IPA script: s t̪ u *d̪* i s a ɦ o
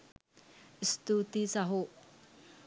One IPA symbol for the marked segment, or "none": t̪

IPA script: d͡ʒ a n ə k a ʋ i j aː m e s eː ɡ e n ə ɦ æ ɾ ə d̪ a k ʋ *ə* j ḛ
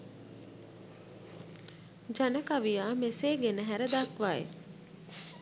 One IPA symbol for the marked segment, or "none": a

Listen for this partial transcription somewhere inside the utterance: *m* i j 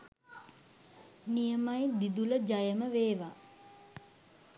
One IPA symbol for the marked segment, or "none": n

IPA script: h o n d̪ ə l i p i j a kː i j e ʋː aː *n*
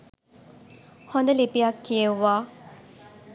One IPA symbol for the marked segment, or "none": none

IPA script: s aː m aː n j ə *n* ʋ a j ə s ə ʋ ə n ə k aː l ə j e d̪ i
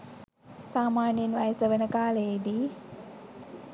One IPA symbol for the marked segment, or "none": n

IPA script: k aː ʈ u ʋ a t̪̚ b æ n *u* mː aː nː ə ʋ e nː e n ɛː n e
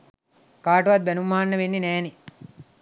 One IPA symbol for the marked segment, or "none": u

